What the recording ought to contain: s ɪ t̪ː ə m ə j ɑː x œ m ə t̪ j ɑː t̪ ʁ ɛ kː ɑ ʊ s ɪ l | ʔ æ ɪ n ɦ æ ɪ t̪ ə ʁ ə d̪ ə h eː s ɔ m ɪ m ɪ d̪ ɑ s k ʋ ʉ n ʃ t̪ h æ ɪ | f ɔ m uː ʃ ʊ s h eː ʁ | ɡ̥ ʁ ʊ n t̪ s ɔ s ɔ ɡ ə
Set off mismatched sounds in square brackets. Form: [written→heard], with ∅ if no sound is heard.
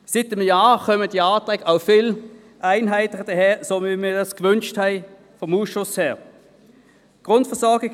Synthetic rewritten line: s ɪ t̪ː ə m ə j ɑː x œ m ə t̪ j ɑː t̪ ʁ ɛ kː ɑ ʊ [s→f] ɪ l | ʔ æ ɪ n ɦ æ ɪ t̪ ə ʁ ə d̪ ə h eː s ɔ m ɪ m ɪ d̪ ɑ s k ʋ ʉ n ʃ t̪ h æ ɪ | f ɔ m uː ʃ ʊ s h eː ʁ | ɡ̥ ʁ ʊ n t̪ [s→f] ɔ s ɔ ɡ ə